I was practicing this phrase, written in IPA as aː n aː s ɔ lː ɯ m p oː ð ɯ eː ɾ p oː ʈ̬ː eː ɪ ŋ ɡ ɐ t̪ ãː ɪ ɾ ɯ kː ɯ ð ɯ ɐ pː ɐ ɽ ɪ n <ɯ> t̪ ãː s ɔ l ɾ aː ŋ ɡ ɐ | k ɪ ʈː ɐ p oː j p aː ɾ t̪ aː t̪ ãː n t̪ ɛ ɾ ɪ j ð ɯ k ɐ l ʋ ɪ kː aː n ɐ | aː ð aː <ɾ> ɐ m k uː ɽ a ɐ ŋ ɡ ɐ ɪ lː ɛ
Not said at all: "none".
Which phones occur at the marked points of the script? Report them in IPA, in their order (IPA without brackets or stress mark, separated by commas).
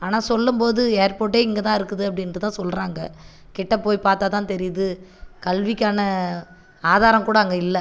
ɯ, ɾ